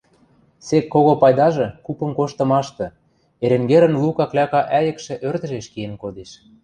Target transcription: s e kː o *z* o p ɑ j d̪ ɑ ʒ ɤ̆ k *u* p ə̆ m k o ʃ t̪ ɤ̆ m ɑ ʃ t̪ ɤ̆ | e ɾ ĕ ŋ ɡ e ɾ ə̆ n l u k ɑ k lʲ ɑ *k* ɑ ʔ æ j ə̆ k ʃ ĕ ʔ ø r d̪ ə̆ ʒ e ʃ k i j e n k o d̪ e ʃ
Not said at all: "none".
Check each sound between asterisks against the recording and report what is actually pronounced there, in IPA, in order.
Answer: ɣ, u, k

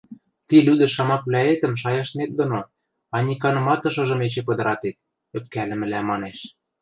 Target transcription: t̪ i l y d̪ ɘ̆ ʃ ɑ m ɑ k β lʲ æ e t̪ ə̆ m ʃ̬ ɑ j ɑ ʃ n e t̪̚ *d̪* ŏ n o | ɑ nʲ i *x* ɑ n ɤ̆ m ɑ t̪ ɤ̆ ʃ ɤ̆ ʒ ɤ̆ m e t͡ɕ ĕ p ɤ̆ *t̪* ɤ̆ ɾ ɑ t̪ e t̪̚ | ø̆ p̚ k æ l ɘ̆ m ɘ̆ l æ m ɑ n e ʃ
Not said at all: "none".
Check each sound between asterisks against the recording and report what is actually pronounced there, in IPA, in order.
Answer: d̪, k, d̪

